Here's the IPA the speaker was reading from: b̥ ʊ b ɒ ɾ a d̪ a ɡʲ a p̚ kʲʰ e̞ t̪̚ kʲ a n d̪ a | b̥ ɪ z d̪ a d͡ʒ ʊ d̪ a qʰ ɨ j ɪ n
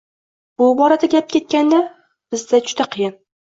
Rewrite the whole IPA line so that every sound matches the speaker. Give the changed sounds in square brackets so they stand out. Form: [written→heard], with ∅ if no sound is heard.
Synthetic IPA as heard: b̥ ʊ b ɒ ɾ a d̪ a ɡʲ a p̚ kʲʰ e̞ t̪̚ kʲ a n d̪ a | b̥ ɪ z d̪ a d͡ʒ ʊ d̪ a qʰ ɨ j ɪ n